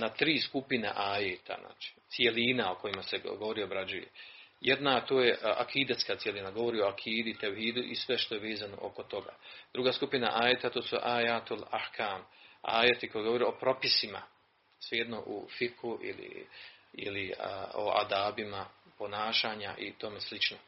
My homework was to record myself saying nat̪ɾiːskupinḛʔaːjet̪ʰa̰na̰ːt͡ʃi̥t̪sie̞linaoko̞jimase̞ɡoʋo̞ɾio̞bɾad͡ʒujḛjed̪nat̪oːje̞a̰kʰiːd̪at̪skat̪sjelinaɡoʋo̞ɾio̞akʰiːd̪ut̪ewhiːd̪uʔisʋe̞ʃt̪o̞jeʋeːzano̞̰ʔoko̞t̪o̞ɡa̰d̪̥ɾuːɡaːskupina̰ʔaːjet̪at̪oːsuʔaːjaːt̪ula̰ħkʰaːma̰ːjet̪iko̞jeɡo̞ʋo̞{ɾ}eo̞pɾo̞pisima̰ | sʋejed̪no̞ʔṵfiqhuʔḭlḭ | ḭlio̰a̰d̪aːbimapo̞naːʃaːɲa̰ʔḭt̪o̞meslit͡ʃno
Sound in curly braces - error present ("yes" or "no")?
no